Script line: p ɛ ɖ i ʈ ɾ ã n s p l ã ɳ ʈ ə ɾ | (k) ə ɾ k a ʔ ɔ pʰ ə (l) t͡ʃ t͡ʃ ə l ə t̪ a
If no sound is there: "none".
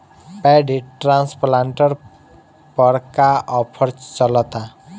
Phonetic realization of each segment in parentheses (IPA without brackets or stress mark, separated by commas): p, ɾ